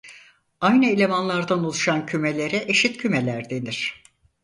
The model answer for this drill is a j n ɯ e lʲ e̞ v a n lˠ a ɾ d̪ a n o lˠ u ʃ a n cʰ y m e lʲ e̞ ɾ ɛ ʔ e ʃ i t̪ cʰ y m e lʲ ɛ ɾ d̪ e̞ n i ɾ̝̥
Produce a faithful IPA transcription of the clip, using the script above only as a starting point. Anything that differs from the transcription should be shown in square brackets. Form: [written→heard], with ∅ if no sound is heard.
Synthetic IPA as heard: a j n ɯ e lʲ e̞ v a n lˠ a ɾ d̪ a n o lˠ u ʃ a n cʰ y m e lʲ e̞ ɾ ɛ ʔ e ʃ i t̪ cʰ y m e lʲ [ɛ→æ] ɾ d̪ e̞ n i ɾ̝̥

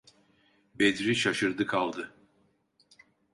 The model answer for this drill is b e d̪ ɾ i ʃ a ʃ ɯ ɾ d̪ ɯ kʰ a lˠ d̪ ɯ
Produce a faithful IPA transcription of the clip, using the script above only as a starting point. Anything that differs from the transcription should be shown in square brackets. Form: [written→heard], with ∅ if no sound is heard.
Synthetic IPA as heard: b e d̪ ɾ i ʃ a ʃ ɯ ɾ d̪ ɯ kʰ a lˠ d̪ ɯ

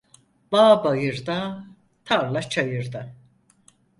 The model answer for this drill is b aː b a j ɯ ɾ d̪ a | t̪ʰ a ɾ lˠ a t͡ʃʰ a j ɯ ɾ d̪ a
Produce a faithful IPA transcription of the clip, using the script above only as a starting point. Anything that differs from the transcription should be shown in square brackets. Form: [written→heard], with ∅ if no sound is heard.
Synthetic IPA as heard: b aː b a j ɯ ɾ d̪ a | t̪ʰ a ɾ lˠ a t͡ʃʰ a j ɯ ɾ d̪ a

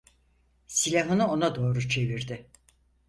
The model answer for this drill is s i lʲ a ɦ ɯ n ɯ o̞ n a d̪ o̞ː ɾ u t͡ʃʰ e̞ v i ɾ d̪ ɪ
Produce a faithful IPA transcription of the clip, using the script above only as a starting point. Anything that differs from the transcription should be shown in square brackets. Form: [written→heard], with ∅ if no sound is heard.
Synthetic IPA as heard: s i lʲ a ɦ ɯ n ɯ o̞ n a d̪ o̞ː ɾ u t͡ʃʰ e̞ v i ɾ d̪ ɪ

